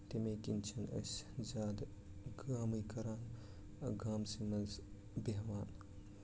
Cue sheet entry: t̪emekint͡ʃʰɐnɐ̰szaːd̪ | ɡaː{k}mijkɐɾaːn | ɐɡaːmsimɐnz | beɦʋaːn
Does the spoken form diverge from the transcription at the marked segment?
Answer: yes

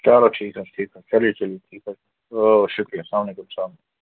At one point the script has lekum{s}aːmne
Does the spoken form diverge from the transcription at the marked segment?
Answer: no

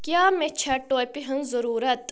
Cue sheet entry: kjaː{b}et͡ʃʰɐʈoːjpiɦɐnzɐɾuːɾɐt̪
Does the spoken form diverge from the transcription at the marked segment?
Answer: yes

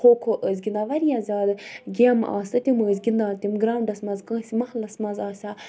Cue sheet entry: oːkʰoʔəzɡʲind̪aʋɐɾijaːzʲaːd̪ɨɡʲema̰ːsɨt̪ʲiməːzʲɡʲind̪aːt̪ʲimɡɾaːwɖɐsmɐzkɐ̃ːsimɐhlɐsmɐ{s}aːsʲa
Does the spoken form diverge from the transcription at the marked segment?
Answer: yes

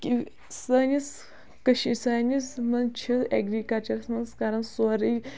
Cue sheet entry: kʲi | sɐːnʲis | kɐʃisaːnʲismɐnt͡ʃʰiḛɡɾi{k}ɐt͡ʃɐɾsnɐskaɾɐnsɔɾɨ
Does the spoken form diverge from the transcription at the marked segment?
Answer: no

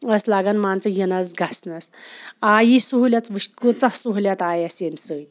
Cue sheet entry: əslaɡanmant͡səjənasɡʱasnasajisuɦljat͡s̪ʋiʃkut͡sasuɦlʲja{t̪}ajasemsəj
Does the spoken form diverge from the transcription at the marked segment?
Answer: no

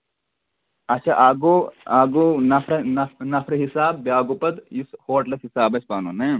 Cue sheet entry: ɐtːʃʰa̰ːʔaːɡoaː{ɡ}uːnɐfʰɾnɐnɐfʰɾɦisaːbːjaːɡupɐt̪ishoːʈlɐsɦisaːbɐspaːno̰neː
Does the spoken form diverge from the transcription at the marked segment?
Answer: no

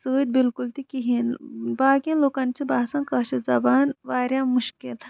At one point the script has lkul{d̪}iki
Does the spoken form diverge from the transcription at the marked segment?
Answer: yes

